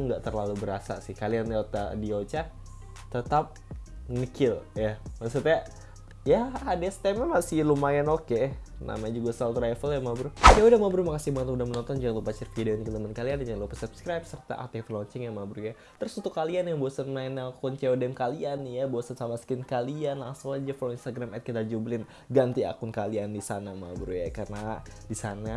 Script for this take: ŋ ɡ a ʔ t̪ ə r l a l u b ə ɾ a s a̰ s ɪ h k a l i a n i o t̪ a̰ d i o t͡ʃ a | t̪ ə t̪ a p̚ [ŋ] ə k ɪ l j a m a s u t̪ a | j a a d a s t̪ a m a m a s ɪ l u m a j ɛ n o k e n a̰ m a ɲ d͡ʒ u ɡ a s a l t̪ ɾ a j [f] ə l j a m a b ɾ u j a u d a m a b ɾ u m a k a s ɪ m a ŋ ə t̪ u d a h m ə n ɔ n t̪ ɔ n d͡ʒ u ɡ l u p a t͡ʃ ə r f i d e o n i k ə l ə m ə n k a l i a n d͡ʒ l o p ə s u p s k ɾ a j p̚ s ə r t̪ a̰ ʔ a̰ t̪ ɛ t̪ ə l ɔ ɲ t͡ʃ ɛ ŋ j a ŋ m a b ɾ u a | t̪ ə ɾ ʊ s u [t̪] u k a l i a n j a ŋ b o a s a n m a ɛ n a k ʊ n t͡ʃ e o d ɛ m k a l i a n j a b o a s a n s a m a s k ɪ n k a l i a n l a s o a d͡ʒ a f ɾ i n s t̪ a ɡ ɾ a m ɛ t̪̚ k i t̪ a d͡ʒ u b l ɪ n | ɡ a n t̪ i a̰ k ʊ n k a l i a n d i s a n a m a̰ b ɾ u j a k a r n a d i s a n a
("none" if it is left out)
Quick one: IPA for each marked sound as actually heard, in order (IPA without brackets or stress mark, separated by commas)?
ŋ, f, t̪